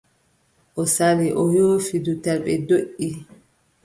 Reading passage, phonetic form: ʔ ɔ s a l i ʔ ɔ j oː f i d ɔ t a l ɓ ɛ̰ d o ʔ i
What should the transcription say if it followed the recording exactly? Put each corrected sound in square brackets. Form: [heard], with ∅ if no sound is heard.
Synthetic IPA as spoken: ʔ ɔ s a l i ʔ ɔ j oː f i d [u] t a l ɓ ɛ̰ d o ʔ i